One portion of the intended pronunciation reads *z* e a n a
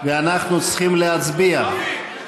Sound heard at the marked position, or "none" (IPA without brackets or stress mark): v